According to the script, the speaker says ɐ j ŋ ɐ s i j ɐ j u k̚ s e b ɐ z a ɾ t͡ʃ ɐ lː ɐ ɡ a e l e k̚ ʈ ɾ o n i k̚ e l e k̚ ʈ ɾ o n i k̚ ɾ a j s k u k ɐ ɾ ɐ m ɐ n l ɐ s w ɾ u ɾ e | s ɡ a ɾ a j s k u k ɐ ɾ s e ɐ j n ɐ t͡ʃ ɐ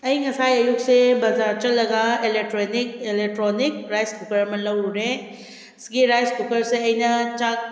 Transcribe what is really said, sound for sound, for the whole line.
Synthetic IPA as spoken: ɐ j ŋ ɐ s a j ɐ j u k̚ s e b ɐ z a ɾ t͡ʃ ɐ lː ɐ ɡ a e l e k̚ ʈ ɾ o n i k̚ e l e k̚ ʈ ɾ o n i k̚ ɾ a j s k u k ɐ ɾ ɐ m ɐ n l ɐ w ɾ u ɾ e | s ɡ i ɾ a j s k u k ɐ ɾ s e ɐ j n ɐ t͡ʃ a